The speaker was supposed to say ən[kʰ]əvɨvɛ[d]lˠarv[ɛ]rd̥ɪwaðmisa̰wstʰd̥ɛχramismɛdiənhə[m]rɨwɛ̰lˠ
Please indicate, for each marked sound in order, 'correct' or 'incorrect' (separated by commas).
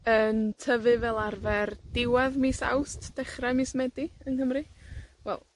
incorrect, incorrect, correct, correct